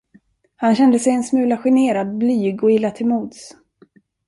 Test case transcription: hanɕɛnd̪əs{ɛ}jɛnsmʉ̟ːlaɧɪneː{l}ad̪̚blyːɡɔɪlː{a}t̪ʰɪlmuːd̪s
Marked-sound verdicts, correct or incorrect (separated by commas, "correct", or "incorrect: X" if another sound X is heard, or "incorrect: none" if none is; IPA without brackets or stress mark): correct, incorrect: ɾ, correct